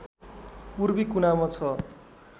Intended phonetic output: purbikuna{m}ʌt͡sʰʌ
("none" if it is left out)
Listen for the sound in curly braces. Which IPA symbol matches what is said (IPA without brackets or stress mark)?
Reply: m